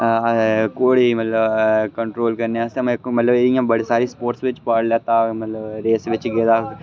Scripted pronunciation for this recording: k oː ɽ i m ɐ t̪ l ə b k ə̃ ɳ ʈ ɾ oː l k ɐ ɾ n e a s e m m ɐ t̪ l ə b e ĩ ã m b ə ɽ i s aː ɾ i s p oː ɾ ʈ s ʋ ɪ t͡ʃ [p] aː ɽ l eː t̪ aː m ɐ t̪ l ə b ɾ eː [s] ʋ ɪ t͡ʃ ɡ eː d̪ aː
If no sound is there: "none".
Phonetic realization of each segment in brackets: p, s

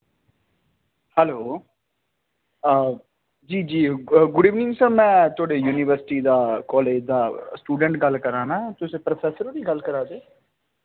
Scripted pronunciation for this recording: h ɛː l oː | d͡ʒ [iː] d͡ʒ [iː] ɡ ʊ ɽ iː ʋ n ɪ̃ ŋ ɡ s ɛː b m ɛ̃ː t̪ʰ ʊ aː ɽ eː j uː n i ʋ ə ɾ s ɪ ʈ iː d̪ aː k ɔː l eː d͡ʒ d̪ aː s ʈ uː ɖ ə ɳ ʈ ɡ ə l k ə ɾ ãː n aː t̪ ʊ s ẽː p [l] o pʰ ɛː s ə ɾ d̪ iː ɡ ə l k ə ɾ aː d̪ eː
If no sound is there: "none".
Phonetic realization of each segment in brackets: iː, iː, ɾ

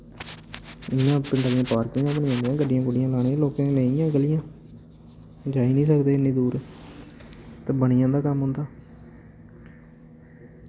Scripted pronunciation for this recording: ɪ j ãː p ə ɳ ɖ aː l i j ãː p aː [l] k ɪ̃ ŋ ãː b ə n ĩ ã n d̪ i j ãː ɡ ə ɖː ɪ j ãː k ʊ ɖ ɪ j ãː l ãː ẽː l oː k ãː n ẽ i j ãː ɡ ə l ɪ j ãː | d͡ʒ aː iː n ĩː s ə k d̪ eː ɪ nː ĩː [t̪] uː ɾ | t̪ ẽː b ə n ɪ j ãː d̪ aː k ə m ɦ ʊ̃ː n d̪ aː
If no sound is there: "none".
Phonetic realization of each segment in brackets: ɾ, d̪

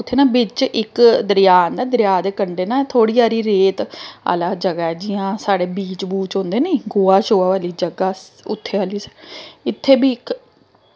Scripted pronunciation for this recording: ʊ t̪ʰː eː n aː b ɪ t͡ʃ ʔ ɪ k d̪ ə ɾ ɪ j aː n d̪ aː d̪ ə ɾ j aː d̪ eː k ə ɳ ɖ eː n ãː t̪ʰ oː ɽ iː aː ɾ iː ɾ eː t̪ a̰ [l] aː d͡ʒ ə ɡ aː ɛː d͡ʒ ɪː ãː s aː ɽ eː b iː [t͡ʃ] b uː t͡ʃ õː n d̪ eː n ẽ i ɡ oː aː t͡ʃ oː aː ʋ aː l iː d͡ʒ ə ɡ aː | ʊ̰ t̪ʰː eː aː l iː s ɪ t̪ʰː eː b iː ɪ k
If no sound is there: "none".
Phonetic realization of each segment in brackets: l, t͡ʃ

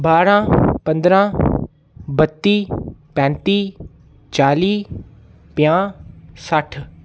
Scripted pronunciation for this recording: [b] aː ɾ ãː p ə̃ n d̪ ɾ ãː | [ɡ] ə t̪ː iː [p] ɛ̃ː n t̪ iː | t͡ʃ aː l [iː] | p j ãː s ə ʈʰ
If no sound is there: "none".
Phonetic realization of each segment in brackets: b, b, p, iː

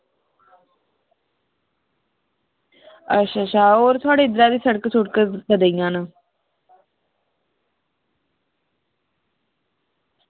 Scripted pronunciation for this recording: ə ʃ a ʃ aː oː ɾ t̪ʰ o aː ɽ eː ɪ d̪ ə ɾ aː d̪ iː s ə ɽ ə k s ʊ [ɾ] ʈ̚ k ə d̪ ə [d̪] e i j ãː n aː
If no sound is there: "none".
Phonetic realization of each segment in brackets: none, d̪

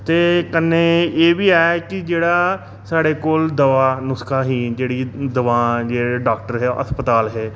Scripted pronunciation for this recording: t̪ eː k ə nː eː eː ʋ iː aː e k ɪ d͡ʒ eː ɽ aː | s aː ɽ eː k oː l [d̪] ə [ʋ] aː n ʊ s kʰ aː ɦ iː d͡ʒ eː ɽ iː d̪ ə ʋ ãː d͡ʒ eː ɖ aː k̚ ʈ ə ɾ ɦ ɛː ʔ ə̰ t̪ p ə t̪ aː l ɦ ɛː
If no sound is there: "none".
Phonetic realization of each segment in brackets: d̪, ʋ

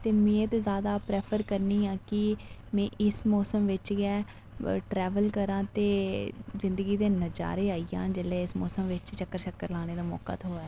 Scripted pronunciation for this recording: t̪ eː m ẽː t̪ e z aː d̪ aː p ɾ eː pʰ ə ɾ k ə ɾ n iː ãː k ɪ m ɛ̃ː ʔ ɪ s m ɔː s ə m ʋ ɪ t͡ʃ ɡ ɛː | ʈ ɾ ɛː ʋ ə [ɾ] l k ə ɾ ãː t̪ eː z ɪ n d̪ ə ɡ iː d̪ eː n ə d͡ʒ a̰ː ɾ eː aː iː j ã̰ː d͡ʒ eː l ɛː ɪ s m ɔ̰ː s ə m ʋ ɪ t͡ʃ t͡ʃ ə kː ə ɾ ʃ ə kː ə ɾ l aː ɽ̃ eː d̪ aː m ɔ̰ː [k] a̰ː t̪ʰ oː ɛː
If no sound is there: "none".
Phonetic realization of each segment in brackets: none, k

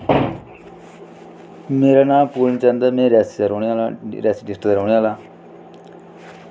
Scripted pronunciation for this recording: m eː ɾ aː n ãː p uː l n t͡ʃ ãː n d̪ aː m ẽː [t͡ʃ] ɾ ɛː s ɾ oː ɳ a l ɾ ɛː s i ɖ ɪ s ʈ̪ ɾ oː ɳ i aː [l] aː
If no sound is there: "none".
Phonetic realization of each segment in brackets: none, l

